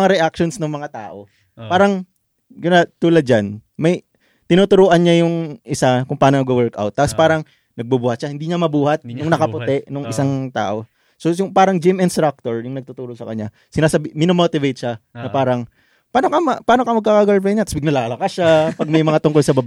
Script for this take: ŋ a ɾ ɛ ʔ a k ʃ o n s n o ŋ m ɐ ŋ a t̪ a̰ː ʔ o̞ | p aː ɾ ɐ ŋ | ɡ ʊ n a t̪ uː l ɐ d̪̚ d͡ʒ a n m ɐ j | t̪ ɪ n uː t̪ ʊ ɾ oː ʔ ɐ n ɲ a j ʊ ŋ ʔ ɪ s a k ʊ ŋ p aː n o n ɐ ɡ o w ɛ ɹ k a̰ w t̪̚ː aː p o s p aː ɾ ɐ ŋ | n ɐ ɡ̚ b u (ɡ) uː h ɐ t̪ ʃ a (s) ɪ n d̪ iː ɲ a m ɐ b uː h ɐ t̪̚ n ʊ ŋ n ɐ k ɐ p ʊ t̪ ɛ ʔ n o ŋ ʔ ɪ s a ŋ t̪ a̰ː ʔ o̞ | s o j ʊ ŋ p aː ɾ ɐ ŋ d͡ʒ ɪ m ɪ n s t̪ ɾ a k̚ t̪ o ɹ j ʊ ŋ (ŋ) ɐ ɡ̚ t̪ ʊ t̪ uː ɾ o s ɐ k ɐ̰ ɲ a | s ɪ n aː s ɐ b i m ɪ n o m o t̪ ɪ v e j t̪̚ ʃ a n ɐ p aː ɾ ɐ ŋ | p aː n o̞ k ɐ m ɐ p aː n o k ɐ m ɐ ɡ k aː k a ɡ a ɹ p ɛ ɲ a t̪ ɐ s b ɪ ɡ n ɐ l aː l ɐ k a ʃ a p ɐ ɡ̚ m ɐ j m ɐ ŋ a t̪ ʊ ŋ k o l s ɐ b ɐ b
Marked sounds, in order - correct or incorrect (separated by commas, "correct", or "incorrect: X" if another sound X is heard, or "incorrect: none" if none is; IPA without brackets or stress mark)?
incorrect: b, incorrect: h, incorrect: n